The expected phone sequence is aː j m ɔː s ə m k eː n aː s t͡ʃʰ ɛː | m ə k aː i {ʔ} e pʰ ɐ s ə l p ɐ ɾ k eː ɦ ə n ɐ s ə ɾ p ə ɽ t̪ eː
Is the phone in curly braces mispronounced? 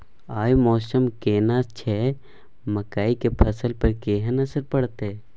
yes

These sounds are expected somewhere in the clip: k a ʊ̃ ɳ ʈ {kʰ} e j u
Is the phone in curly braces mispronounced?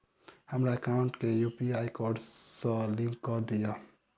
yes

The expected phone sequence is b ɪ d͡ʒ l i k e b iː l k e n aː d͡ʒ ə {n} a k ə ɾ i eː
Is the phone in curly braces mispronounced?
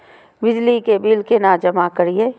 yes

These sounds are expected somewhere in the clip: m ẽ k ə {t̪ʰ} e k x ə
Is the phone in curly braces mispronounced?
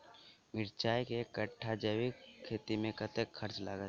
yes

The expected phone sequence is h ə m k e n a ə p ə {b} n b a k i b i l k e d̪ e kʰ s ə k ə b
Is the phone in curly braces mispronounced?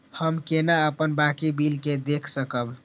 yes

